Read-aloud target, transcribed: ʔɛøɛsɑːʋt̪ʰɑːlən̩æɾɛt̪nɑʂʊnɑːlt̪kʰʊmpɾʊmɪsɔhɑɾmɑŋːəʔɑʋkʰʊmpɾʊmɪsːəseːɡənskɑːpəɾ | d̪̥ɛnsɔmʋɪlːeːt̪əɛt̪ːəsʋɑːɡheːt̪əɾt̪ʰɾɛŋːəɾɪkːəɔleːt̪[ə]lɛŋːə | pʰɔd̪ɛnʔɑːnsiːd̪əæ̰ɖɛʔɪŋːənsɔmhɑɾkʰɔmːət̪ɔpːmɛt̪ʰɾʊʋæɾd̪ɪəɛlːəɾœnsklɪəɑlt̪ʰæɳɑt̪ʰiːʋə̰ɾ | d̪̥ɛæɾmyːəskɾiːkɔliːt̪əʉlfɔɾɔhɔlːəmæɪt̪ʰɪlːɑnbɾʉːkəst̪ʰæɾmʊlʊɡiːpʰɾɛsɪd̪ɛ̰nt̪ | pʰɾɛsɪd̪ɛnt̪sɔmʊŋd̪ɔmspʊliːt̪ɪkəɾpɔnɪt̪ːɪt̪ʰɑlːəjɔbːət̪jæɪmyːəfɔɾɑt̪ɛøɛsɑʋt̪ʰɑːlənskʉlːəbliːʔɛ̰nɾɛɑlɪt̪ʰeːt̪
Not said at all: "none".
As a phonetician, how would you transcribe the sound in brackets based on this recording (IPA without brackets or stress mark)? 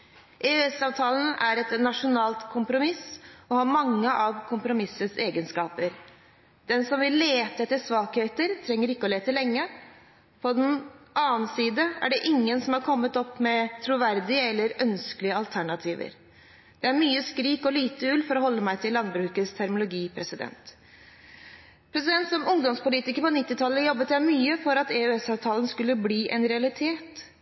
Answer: ə